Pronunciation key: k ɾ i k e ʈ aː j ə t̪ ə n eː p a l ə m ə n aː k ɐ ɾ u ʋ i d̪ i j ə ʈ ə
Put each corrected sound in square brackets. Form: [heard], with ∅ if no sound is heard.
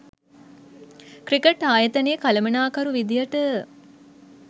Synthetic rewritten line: k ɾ i k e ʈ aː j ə t̪ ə n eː [k] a l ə m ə n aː k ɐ ɾ u ʋ i d̪ i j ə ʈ ə